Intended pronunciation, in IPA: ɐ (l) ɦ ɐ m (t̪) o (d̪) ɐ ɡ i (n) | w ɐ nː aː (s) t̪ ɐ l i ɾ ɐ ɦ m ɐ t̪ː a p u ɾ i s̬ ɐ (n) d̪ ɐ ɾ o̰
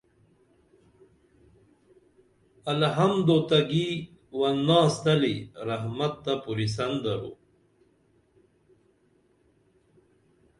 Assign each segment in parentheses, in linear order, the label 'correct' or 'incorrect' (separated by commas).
correct, incorrect, incorrect, incorrect, correct, correct